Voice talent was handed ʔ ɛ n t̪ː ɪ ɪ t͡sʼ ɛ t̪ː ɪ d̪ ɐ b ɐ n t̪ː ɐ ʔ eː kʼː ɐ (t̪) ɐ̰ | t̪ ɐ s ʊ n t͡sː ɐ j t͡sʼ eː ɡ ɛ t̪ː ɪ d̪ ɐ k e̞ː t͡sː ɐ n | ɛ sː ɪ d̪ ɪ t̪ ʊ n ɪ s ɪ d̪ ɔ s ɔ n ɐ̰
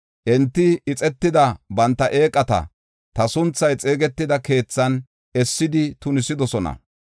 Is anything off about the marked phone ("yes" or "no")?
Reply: no